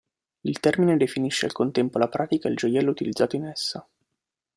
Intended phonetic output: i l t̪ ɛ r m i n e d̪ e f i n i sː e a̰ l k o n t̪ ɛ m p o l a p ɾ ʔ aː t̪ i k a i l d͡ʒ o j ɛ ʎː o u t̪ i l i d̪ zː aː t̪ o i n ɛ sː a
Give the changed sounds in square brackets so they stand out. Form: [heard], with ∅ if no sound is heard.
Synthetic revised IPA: i l t̪ ɛ r m i n e d̪ e f i n i [ʃː] e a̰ l k o n t̪ ɛ m p o l a p ɾ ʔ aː t̪ i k a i l d͡ʒ o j ɛ [lː] o u t̪ i l i d̪ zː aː t̪ o i n ɛ sː a